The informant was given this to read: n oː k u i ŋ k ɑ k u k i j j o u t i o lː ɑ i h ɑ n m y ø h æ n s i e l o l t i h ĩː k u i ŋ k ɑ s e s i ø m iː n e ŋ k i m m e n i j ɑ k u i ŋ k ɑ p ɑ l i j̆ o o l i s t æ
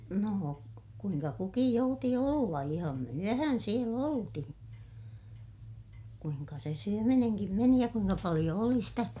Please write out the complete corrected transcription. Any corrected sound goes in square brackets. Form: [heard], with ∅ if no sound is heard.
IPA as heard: n oː k u i ŋ k ɑ k u k i j j o u t i o lː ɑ i h ɑ [m] m y ø h æ n s i e l o l t i h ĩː k u i ŋ k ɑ s e s [y] ø m [i] n e ŋ k i m m e n i j ɑ k u i ŋ k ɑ p ɑ l i j̆ o o l i s t æ

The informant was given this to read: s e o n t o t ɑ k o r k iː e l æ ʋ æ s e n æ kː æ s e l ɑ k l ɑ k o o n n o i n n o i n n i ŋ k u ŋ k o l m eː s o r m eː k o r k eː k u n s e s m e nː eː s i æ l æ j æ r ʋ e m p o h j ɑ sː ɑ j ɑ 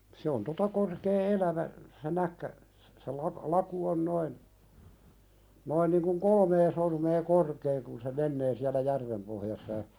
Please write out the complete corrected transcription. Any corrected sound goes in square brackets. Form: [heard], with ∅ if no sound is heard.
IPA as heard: s e o n t o t ɑ k o r k [eː] e l æ ʋ æ s e n æ kː æ s e l ɑ k l ɑ k [u] o n n o i n n o i n n i ŋ k u ŋ k o l m eː s o r m eː k o r k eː k u n s e [∅] m e nː eː s i æ l æ j æ r ʋ e m p o h j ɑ sː ɑ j ɑ

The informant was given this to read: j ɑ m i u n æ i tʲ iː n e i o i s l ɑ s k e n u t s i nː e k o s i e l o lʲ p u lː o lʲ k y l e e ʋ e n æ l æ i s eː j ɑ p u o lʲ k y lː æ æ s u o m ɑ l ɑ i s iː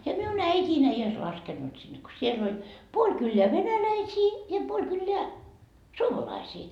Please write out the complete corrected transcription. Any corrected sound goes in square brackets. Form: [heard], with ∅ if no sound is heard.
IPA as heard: j ɑ m i u n æ i tʲ iː n e i o i s l ɑ s k e [nː] u t s i nː e k o s i e l o lʲ p u [∅] o lʲ k y [lː] e [æ] ʋ e n æ l æ i s [iː] j ɑ p u o lʲ k y lː [e] æ s u o m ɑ l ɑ i s iː

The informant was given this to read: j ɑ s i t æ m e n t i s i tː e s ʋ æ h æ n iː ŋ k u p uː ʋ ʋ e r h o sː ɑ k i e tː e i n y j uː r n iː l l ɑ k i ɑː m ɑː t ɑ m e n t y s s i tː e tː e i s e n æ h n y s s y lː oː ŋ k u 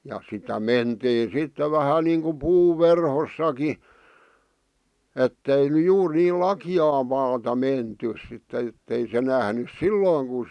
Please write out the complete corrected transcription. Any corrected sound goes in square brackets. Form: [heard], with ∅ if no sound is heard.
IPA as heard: j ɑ s i t æ m e n t [iː] s i tː e [∅] ʋ æ h æ n iː ŋ k u p uː ʋ ʋ e r h o sː ɑ k i e tː e i n y j uː r n iː l l ɑ k i ɑː m ɑː t ɑ m e n t y s s i tː e tː e i s e n æ h n y s s [i] lː oː ŋ k u

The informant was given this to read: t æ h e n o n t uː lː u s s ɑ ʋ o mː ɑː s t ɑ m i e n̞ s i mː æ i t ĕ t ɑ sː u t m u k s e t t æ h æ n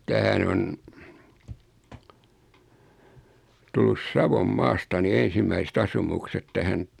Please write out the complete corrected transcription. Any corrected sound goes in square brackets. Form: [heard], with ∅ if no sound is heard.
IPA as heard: t æ h [æ] n o n t [u] lː u s s ɑ ʋ o mː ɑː s t ɑ [n] i e n̞ s i mː æ i [s] ĕ t ɑ [s] u [∅] m u k s e t t æ h æ n

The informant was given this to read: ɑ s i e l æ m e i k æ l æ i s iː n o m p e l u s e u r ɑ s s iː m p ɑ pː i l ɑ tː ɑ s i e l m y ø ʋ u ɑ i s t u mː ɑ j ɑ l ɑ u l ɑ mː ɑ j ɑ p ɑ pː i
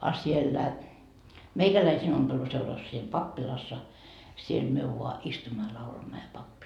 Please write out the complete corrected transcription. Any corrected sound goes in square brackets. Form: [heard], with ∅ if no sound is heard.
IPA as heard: ɑ s i e [lː] æ m e i k æ l æ i s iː n o m p e l u s e u r ɑ s s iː m p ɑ pː i l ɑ [sː] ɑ s i e l m y ø ʋ u ɑ i s t u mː ɑ j ɑ l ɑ u l ɑ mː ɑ j ɑ p ɑ pː i

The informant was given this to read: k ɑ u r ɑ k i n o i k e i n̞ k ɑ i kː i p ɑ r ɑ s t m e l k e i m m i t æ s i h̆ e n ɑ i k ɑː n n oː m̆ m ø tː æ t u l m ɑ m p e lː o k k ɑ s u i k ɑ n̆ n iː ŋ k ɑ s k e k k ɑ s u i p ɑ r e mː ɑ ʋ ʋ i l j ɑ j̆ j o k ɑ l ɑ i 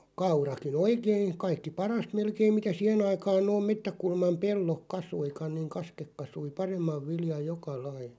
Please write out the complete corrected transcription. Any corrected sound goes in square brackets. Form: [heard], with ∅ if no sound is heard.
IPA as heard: k ɑ u r ɑ k i n o i k e i n̞ k ɑ i kː i p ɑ r ɑ s t m e l k e i m m i t æ s i h̆ e n ɑ i k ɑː n n oː m̆ m [e] tː æ [k] u l m ɑ m p e lː o k k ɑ s u i k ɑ n̆ n iː ŋ k ɑ s k e k k ɑ s u i p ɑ r e mː ɑ ʋ ʋ i l j ɑ j̆ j o k ɑ l ɑ i

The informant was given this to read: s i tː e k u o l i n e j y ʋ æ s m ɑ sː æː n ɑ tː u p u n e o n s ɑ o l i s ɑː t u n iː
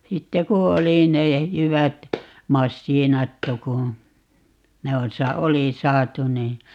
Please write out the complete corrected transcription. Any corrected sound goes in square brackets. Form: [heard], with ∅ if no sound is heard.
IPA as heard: s i tː e k u o l i n e j y ʋ æ [t] m ɑ sː [iː] n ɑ tː u [k] u n e o n s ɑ o l i s ɑː t u n iː

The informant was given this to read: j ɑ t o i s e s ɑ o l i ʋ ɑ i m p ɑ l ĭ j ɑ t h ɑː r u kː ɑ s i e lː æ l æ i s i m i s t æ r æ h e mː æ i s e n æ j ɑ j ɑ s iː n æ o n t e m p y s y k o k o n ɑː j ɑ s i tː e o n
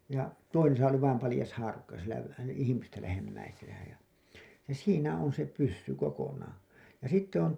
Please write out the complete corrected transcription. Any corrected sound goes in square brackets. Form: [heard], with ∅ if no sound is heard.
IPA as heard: j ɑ t o i s e s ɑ o l i ʋ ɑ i m p ɑ l ĭ j ɑ [s] h ɑː r u kː ɑ s i e [l] æ l æ i [h] i m i s t æ [l] æ h e mː æ i s e n æ j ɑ j ɑ s iː n æ o n [s] e [∅] p y [sː] y k o k o n ɑː j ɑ s i tː e o n

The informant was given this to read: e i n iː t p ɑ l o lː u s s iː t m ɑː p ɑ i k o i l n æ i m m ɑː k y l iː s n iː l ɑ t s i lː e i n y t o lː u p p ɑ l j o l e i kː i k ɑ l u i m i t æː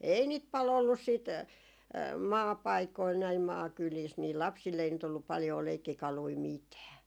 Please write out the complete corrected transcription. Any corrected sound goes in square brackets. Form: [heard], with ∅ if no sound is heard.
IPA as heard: e i n iː t p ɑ l o lː u s s iː t m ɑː p ɑ i k o i l n æ i m m ɑː k y l iː s n iː l ɑ [p] s i lː e i n y t o lː u p p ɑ l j [oː] l e i kː i k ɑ l u i m i t æː

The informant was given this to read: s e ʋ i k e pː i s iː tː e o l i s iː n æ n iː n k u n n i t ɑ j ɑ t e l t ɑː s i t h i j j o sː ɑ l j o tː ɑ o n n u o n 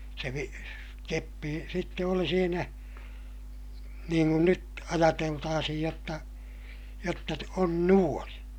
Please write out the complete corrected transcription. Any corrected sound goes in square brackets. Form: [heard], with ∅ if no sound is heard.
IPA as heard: s e ʋ i k e pː i s [i] tː e o l i s iː n æ n iː [ŋ] k u n n [y] t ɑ j ɑ t e l t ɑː s i [∅] h i j j o [tː] ɑ [∅] j o tː ɑ o n n u o n

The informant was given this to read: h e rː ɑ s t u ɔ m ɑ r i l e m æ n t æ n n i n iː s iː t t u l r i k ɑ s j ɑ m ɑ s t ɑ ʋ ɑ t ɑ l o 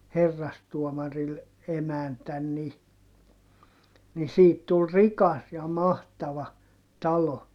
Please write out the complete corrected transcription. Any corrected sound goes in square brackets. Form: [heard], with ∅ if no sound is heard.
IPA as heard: h e rː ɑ s t u ɔ m ɑ r i l e m æ n t æ n n i n [i] s iː t t u l r i k ɑ s j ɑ m ɑ [h] t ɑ ʋ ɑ t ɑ l o

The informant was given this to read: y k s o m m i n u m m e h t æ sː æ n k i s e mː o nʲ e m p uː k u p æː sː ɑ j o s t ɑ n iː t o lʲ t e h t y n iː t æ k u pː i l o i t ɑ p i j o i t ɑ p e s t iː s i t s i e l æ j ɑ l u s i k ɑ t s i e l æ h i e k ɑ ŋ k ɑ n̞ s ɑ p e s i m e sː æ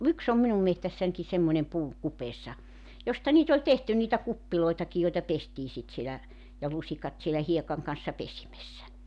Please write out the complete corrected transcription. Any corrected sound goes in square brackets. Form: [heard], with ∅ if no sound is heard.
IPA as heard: y k s o m m i n u m m e h t æ sː æ n k i s e mː o nʲ e m p uː k u p [eː] sː ɑ j o s t ɑ n iː t o lʲ t e h t y n iː t æ k u pː i l o i t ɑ [k] i j o i t ɑ p e s t iː s i t s i e l æ j ɑ l u s i k ɑ t s i e l æ h i e k ɑ ŋ k ɑ n̞ [sː] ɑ p e s i m e sː æ

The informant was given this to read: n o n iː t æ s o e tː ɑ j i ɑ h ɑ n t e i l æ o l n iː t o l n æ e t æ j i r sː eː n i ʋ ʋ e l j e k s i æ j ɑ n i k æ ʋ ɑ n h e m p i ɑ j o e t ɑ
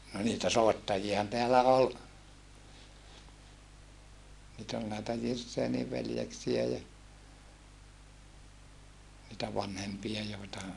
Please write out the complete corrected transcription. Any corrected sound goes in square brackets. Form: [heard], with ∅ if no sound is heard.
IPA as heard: n o n iː t æ s o e tː ɑ j i ɑ h ɑ n t e [æ] l æ o l n iː t o l n æ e t æ j i r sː eː n i ʋ ʋ e l j e k s i æ j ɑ n i [t] æ ʋ ɑ n h e m p i ɑ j o e t ɑ

